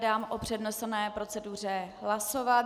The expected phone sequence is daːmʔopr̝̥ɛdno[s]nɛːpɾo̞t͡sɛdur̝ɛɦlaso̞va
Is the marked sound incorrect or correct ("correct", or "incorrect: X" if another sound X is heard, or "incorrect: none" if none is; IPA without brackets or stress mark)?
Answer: correct